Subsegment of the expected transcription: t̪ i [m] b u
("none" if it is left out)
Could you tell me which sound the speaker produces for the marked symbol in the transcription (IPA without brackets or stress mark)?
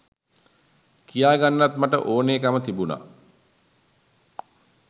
none